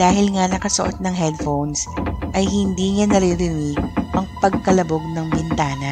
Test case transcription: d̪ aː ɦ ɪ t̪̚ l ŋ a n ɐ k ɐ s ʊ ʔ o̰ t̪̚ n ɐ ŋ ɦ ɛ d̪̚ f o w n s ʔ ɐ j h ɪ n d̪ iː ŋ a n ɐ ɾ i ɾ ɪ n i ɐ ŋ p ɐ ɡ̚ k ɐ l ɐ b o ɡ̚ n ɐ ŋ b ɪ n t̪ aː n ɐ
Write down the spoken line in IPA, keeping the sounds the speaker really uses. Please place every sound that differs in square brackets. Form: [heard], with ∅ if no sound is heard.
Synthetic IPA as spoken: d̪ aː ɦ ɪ [∅] l ŋ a n ɐ k ɐ s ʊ ʔ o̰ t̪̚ n ɐ ŋ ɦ ɛ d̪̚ f o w n s ʔ ɐ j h ɪ n d̪ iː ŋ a n ɐ ɾ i ɾ ɪ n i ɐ ŋ p ɐ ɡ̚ k ɐ l ɐ b o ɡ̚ n ɐ ŋ b ɪ n t̪ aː n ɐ